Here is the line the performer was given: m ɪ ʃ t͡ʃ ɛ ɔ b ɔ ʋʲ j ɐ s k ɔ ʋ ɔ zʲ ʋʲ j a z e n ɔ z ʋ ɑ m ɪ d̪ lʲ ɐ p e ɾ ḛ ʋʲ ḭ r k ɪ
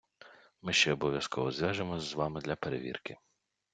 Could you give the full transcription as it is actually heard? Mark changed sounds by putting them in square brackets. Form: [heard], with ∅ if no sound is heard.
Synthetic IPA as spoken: m ɪ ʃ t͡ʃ ɛ ɔ b ɔ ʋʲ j ɐ s k ɔ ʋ ɔ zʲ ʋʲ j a [ʒ] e [m] ɔ z ʋ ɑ m ɪ d̪ lʲ ɐ p e ɾ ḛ ʋʲ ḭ r k ɪ